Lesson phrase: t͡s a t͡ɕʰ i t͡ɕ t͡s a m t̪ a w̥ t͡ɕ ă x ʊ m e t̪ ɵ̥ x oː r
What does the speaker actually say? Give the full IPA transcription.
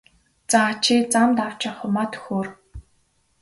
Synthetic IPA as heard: t͡s a t͡ɕʰ i t͡s a m t̪ a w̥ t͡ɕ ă χ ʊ m a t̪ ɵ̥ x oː r